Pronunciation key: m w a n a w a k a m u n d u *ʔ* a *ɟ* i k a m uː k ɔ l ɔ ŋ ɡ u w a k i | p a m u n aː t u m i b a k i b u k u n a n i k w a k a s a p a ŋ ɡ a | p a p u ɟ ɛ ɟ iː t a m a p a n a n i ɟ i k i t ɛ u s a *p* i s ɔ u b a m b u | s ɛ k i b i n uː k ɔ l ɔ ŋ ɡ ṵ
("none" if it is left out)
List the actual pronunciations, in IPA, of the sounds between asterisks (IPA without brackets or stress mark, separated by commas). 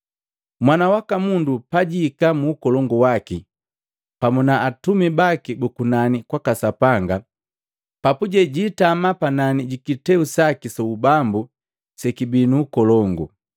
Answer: p, ɟ, k